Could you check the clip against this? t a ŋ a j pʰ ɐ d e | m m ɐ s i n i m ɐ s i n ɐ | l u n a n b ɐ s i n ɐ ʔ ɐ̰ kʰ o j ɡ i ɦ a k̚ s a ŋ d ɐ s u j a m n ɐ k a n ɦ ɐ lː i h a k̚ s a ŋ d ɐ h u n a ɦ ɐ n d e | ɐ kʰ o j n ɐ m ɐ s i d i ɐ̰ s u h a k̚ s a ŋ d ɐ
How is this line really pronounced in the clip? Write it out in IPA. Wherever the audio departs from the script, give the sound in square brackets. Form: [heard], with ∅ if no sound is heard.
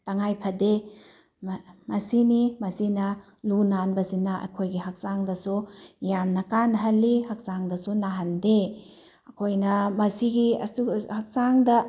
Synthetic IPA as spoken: t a ŋ a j pʰ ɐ d e | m m ɐ s i n i m ɐ s i n ɐ | l u n a n b ɐ s i n ɐ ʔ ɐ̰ kʰ o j ɡ i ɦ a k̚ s a ŋ d ɐ s u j a m n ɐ k a n ɦ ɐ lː i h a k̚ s a ŋ d ɐ [s] u n a ɦ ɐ n d e | ɐ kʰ o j n ɐ m ɐ s i [ɡ] i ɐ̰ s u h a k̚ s a ŋ d ɐ